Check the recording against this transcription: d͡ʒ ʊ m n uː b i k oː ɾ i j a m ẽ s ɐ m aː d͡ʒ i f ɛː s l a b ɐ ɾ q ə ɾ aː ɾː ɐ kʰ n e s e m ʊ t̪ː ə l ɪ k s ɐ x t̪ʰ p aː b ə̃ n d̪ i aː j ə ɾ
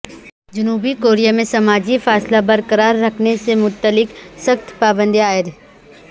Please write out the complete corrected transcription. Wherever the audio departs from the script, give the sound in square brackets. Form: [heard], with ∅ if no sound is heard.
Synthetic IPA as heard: d͡ʒ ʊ [∅] n uː b i k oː ɾ i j a m ẽ s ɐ m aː d͡ʒ i f [aː] s l a b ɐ ɾ [k] ə ɾ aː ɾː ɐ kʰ n e s e m ʊ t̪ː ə l ɪ k s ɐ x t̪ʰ p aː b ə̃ n d̪ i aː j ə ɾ

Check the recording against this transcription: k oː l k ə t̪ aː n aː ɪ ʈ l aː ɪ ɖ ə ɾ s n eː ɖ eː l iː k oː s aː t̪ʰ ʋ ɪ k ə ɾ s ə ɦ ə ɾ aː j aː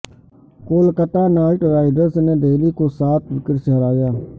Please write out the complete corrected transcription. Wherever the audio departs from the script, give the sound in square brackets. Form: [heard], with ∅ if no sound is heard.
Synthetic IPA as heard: k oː l k ə t̪ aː n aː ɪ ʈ [ɾ] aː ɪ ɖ ə ɾ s n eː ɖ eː l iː k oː s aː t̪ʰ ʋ ɪ k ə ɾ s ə ɦ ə ɾ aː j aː

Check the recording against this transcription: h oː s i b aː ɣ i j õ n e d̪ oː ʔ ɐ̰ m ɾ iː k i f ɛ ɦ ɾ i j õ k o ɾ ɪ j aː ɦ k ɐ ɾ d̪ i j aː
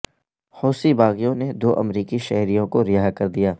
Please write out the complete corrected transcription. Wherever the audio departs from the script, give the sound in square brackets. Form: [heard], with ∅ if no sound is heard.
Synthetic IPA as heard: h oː s i b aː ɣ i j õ n e d̪ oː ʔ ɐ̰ m ɾ iː k i [ʃ] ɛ ɦ ɾ i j õ k o ɾ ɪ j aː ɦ k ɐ ɾ d̪ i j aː

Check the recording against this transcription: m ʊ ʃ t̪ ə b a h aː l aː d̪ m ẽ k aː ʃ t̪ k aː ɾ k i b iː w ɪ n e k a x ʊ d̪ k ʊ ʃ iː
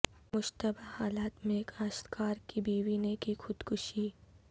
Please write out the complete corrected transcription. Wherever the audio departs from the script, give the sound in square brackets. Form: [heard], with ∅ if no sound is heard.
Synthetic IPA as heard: m ʊ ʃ t̪ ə b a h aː l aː [t̪] m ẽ k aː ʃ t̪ k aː ɾ k i b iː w [i] n e k [i] x ʊ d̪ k ʊ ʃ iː

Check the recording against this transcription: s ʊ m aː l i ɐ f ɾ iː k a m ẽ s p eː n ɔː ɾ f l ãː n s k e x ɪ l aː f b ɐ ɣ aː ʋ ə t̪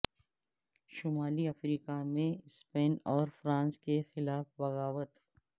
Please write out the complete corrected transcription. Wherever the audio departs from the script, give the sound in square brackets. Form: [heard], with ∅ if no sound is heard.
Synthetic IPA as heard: [ʃ] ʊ m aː l i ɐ f ɾ iː k a m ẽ s p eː n ɔː ɾ f [ɾ] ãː n s k e x ɪ l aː f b ɐ ɣ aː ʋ ə t̪

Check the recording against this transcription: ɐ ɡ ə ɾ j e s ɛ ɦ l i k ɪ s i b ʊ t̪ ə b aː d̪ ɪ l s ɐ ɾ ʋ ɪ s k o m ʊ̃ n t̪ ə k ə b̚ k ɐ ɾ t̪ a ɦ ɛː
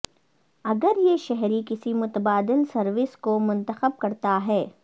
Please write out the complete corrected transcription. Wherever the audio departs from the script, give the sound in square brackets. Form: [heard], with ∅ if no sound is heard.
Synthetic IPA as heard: ɐ ɡ ə ɾ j e [ʃ] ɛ ɦ [ɾ] i k ɪ s i [m] ʊ t̪ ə b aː d̪ ɪ l s ɐ ɾ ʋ ɪ s k o m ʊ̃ n t̪ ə [x] ə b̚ k ɐ ɾ t̪ a ɦ ɛː

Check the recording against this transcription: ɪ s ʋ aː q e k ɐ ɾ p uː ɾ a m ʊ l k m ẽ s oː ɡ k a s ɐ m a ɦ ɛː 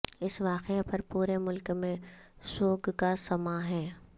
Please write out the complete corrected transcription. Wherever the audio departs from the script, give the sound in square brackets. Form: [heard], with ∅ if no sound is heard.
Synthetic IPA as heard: ɪ s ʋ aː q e [p] ɐ ɾ p uː ɾ [e] m ʊ l k m ẽ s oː ɡ k a s ɐ m a ɦ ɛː

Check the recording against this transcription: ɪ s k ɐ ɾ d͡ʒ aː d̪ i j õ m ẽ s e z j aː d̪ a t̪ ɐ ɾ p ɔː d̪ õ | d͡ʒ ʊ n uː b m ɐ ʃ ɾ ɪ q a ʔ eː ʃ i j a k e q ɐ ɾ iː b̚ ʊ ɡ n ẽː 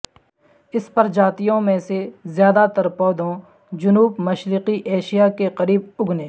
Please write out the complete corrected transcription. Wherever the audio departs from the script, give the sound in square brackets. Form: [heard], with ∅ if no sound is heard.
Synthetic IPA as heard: ɪ s [p] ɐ ɾ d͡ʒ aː [t̪] i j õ m ẽ s e z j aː d̪ a t̪ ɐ ɾ p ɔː d̪ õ | d͡ʒ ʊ n uː b m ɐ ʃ ɾ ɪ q [i] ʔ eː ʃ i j a k e q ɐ ɾ iː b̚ ʊ ɡ n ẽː

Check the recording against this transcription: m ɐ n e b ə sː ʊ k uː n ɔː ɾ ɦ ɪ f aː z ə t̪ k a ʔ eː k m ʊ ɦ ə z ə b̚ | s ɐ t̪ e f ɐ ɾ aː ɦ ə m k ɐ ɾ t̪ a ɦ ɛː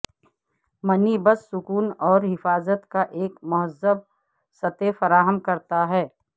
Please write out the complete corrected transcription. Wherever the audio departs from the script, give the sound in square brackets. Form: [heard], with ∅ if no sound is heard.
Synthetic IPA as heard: m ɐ n [i] b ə sː ʊ k uː n ɔː ɾ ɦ ɪ f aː z ə t̪ k a ʔ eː k m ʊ ɦ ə z ə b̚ | s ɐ t̪ e f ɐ ɾ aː ɦ ə m k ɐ ɾ t̪ a ɦ ɛː

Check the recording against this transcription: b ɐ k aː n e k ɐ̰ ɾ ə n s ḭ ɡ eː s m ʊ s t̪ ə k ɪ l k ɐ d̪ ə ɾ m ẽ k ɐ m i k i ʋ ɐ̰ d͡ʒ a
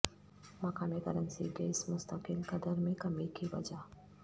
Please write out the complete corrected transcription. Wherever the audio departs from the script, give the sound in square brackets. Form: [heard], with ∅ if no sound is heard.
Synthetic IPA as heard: [m] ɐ k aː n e k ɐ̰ ɾ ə n s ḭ ɡ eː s m ʊ s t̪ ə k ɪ l k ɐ d̪ ə ɾ m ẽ k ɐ m i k i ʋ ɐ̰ d͡ʒ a

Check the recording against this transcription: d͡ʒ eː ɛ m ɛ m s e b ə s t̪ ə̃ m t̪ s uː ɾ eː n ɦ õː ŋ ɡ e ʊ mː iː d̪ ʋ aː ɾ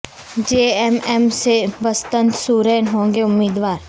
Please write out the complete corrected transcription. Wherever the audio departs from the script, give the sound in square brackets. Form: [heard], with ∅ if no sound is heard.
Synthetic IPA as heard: d͡ʒ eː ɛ m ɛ m s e b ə s t̪ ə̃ [n] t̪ s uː ɾ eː n ɦ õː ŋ ɡ e ʊ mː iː d̪ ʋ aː ɾ

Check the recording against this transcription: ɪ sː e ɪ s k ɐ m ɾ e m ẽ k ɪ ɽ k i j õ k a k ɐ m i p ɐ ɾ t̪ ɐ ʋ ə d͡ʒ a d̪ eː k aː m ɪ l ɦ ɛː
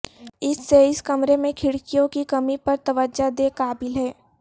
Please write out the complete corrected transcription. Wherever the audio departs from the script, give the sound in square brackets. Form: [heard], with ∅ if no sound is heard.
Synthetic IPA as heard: ɪ sː e ɪ s k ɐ m ɾ e m ẽ [kʰ] ɪ ɽ k i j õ k [i] k ɐ m i p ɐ ɾ t̪ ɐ ʋ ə d͡ʒ a d̪ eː k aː [b] ɪ l ɦ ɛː

